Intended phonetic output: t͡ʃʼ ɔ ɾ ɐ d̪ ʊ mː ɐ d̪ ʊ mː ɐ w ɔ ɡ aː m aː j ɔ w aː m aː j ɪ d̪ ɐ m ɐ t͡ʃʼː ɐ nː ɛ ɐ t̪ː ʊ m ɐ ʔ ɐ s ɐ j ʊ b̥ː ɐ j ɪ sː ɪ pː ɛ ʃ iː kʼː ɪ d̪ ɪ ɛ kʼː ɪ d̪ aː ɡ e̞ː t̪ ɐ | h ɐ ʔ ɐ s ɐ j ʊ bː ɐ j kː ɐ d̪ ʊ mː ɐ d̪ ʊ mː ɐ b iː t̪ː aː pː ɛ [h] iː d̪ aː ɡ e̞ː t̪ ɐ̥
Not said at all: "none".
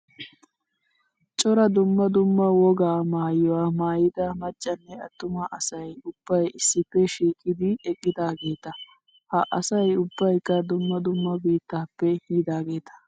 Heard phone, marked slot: h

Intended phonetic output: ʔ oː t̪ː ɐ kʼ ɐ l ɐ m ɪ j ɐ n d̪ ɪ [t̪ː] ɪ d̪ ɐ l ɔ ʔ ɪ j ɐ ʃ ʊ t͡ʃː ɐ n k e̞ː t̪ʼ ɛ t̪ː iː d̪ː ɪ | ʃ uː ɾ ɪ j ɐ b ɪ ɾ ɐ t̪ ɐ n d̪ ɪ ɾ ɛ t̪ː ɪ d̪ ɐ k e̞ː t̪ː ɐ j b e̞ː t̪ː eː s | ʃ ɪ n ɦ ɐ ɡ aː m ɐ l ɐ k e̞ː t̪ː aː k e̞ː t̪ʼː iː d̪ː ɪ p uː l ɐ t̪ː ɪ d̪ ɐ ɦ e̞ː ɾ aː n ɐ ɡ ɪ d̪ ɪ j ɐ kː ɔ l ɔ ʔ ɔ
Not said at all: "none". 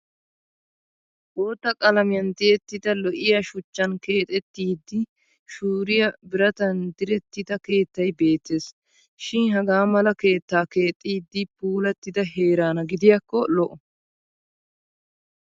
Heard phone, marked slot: t̪ː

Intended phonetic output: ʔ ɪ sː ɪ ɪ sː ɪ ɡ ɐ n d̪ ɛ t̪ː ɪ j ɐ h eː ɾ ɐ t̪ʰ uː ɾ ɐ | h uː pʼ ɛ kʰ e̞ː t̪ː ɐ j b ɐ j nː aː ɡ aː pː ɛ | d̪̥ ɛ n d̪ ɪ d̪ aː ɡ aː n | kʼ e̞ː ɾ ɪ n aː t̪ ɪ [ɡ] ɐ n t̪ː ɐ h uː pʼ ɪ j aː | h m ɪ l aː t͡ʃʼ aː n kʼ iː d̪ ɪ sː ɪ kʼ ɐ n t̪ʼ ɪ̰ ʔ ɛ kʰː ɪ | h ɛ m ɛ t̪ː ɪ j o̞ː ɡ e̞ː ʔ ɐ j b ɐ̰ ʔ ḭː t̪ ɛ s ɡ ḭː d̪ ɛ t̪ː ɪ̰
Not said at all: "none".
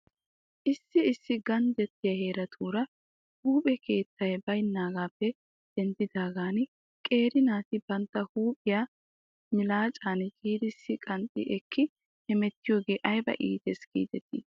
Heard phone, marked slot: b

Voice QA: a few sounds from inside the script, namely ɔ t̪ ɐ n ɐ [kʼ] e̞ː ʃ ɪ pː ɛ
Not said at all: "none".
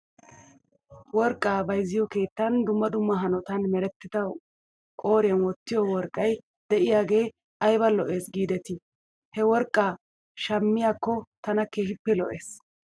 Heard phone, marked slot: k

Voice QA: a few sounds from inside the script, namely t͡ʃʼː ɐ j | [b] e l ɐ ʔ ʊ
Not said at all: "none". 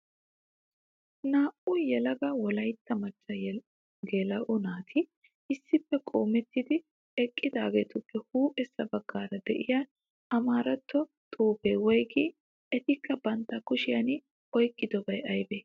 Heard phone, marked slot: ɡ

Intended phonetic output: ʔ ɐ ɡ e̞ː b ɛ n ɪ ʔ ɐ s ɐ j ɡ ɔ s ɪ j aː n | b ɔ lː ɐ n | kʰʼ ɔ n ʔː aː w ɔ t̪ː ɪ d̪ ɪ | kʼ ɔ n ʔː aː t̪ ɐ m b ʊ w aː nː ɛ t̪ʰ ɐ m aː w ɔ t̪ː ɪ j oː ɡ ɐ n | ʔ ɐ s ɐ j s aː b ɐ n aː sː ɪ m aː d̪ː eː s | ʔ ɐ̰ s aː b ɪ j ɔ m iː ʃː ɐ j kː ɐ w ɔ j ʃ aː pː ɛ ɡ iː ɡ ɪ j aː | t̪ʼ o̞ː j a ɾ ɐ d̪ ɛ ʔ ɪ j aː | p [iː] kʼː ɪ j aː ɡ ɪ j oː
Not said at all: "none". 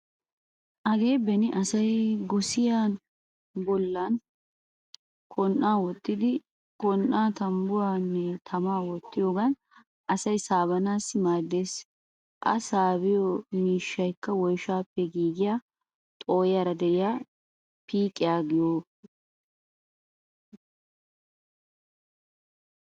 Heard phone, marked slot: iː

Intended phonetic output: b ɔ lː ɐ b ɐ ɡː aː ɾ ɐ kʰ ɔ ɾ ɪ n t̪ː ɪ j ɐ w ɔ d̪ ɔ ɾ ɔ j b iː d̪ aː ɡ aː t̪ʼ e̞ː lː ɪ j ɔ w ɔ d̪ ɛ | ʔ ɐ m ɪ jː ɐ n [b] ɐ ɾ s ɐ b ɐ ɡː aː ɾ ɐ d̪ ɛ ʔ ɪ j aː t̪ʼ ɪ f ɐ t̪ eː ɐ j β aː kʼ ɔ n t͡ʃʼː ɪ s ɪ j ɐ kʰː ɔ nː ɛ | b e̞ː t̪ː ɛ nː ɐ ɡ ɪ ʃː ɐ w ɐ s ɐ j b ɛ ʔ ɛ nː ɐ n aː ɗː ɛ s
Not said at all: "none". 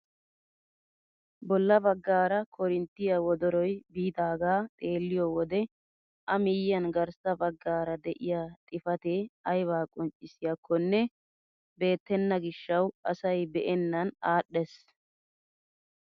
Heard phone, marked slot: ɡ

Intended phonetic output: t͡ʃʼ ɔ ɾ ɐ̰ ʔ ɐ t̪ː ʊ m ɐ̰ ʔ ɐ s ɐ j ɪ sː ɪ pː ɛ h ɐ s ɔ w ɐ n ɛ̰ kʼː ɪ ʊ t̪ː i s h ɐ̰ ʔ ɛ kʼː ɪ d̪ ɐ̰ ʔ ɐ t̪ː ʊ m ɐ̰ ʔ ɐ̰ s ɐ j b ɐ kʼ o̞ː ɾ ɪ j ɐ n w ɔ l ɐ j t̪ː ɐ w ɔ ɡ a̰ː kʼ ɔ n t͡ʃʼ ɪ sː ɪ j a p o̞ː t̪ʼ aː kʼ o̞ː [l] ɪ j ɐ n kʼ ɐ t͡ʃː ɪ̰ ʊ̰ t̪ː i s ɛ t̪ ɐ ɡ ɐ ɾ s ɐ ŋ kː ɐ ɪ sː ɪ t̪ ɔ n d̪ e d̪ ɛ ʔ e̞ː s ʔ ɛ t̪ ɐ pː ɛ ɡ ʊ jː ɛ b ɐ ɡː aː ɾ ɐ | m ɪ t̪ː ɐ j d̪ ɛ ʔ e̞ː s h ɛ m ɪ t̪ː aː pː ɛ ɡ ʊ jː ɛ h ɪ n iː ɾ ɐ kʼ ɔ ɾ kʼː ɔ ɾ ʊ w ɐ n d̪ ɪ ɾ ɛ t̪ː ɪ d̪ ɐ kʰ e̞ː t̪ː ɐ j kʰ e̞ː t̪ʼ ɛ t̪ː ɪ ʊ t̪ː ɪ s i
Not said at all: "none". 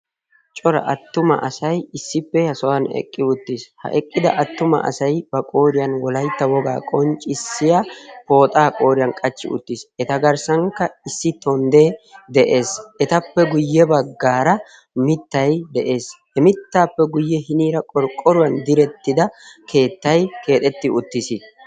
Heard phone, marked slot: ɾ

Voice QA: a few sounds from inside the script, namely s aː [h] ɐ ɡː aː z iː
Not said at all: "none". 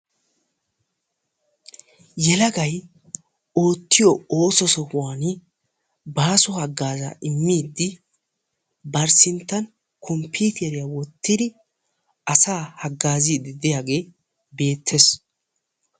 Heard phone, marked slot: h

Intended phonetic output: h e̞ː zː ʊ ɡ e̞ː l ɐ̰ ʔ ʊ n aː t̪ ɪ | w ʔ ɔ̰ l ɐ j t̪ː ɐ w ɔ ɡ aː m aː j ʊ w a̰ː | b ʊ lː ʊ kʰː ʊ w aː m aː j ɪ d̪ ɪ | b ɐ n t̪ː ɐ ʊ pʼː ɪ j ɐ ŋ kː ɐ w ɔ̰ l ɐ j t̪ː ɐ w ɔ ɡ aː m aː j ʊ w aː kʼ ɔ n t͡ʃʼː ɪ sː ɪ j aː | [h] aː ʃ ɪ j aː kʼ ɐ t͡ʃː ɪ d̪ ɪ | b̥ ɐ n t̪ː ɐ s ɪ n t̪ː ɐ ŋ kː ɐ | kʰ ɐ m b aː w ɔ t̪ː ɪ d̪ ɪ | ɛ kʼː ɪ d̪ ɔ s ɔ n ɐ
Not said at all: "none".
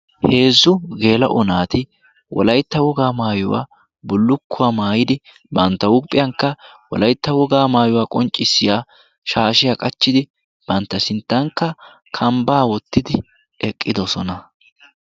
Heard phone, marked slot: ʃ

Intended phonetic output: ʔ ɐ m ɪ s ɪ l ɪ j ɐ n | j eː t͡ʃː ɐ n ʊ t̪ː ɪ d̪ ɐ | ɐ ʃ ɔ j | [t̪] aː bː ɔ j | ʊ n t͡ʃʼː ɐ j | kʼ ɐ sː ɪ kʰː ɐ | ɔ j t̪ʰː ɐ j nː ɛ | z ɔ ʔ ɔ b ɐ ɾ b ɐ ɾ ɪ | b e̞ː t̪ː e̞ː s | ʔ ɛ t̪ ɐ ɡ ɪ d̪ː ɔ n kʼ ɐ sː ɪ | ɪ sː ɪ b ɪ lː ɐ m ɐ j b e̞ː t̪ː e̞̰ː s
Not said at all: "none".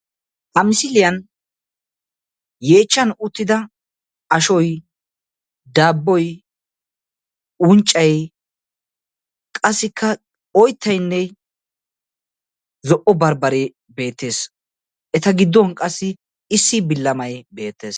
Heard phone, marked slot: d̪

